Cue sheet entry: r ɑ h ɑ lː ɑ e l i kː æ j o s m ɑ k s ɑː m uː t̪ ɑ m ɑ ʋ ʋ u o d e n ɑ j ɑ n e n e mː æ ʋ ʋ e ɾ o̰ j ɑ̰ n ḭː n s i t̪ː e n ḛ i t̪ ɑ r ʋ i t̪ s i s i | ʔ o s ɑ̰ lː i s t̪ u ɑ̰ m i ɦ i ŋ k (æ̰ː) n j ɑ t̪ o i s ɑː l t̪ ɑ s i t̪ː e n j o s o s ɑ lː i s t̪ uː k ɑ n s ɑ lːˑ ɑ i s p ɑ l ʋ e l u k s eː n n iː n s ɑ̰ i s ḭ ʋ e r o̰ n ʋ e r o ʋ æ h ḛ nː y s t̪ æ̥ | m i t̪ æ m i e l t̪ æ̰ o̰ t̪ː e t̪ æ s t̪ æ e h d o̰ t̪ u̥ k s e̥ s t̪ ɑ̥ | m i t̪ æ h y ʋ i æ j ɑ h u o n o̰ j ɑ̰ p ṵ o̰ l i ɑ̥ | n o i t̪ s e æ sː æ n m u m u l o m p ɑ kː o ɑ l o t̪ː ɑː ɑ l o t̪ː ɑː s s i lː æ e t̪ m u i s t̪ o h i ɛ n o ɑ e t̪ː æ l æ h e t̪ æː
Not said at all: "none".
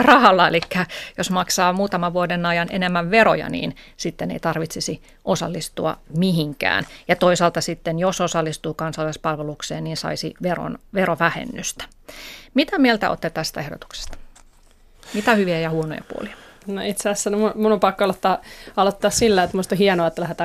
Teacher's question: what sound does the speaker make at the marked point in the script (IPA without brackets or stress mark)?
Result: æ̰ː